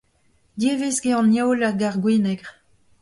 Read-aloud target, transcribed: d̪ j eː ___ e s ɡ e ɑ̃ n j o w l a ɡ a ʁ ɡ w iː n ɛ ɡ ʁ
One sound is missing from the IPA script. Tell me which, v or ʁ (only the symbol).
v